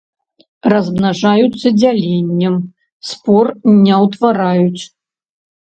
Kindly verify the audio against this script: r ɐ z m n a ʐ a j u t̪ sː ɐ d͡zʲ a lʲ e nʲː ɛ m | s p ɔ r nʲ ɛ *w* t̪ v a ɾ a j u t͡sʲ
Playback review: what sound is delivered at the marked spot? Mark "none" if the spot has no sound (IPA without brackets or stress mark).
w